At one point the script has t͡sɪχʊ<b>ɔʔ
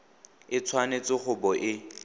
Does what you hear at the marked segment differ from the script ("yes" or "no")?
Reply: no